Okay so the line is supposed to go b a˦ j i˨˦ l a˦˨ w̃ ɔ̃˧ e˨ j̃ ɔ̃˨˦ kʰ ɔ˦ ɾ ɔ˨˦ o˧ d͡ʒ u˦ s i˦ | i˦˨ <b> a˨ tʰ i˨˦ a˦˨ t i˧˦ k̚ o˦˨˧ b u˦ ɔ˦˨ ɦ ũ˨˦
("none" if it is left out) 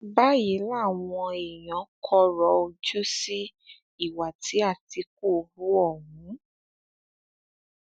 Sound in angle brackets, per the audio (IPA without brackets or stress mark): w